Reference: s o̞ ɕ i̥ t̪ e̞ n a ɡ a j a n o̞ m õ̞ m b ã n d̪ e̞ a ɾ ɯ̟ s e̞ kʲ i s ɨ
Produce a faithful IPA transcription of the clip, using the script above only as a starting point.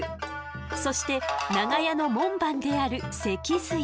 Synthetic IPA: s o̞ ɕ i̥ t̪ e̞ n a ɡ a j a n o̞ m õ̞ m b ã n d̪ e̞ a ɾ ɯ̟ s e̞ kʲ i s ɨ